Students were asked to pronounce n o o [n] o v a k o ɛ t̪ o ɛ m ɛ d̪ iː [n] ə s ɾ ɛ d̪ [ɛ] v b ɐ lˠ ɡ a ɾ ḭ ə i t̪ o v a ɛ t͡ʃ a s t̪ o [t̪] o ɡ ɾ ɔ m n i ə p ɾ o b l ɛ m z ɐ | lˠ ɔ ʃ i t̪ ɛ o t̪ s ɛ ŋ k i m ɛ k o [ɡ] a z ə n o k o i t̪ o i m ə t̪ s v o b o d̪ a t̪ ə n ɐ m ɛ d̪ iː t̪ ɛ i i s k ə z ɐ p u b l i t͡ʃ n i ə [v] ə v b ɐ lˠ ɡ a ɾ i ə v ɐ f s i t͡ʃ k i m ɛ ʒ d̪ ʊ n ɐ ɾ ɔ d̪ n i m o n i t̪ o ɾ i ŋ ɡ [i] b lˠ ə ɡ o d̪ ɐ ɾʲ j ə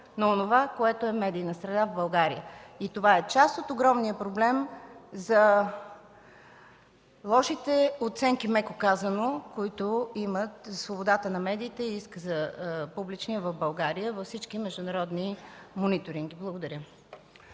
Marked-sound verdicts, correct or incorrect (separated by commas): correct, correct, incorrect, correct, incorrect, correct, correct